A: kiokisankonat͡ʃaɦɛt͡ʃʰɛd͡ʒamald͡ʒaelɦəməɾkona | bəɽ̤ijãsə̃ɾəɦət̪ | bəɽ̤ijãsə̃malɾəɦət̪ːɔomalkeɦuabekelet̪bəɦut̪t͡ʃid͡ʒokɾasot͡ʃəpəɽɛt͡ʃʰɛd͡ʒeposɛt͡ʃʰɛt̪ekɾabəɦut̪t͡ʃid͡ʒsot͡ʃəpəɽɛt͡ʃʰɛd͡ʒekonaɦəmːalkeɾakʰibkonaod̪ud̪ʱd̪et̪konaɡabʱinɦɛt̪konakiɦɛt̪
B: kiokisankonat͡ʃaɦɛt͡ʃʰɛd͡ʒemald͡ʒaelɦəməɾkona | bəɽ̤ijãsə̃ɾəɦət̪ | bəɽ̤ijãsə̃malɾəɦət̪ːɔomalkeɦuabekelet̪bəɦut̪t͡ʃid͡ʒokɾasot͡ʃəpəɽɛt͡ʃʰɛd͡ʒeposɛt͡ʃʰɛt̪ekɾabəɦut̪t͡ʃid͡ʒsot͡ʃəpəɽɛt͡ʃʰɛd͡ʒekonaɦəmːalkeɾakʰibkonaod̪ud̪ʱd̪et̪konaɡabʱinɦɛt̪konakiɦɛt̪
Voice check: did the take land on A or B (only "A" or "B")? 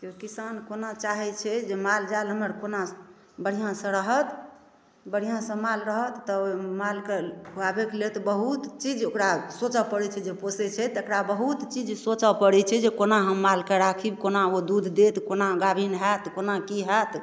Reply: B